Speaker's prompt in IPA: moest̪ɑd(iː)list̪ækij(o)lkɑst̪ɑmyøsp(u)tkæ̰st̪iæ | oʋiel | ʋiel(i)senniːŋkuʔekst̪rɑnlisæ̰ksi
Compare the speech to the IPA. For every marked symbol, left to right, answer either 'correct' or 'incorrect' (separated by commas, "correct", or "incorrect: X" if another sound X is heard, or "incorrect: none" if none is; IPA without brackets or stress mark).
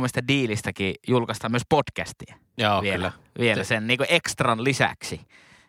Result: correct, incorrect: u, incorrect: o, incorrect: æ